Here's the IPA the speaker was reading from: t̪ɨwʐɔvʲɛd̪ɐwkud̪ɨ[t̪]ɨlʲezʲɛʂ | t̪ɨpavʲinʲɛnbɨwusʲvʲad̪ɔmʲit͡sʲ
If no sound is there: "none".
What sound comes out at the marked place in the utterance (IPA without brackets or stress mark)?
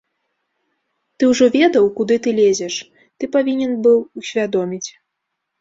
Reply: t̪